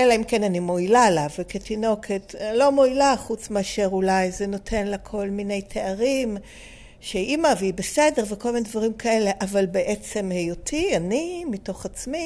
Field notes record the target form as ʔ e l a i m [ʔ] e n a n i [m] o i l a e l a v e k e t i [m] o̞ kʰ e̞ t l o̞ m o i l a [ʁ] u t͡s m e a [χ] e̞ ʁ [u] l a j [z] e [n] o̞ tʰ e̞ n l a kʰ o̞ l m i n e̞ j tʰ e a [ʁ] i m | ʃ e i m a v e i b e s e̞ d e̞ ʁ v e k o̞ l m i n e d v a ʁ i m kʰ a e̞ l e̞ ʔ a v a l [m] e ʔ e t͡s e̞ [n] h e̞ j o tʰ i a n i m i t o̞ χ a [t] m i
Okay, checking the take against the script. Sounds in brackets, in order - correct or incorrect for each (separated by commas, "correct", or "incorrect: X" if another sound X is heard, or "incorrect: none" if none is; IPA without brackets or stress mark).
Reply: incorrect: k, correct, incorrect: n, incorrect: χ, incorrect: ʃ, correct, correct, correct, correct, incorrect: b, incorrect: m, incorrect: t͡s